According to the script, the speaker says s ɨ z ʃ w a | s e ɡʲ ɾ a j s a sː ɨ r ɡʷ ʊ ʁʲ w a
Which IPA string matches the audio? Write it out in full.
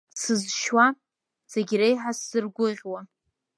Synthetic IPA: s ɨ z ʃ w a | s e ɡʲ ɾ e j ħ a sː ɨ r ɡʷ ʊ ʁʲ w a